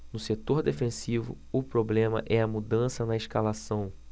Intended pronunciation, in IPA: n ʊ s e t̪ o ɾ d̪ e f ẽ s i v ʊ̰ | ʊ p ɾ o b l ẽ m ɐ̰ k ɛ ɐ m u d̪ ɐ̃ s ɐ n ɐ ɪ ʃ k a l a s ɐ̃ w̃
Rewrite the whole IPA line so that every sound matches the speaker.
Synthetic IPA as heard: n ʊ s e t̪ o ɾ d̪ e f ẽ s i v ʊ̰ | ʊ p ɾ o b l ẽ m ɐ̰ ʔ ɛ ɐ m u d̪ ɐ̃ s ɐ n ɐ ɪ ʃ k a l a s ɐ̃ w̃